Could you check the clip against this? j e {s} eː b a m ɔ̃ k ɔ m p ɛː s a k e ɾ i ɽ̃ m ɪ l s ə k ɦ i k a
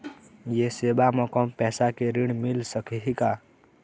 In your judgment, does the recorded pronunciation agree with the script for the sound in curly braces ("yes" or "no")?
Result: yes